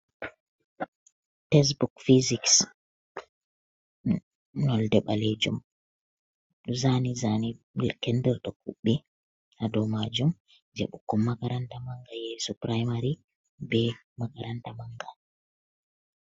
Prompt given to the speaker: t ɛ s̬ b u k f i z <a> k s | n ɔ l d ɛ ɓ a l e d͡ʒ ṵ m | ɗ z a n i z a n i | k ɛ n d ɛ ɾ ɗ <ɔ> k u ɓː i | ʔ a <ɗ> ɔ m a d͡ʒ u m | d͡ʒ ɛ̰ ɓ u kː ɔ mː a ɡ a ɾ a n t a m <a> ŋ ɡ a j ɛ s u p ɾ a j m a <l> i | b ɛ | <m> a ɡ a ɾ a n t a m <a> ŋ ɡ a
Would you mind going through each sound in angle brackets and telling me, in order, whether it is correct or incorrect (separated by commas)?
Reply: incorrect, correct, incorrect, correct, incorrect, correct, correct